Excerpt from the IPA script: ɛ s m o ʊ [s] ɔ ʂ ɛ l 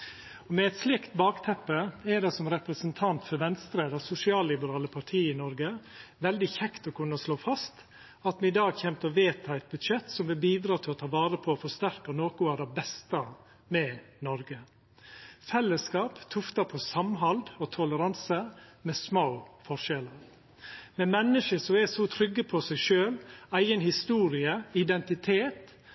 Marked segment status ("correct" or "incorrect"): incorrect